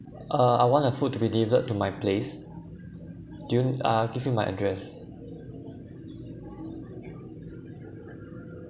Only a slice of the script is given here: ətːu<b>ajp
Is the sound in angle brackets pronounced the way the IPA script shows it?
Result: no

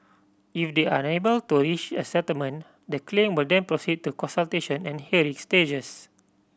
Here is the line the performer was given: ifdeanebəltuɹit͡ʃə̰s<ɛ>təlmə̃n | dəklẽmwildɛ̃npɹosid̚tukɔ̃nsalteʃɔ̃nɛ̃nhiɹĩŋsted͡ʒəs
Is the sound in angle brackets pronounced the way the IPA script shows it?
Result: yes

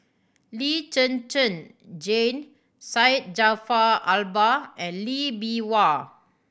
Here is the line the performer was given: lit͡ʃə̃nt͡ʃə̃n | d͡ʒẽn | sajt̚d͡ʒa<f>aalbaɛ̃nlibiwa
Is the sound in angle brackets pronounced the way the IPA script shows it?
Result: yes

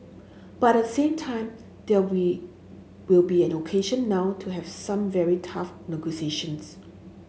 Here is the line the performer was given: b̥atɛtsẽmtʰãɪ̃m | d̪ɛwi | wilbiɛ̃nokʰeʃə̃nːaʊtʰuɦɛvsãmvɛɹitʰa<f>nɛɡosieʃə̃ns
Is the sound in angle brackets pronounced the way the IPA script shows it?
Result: yes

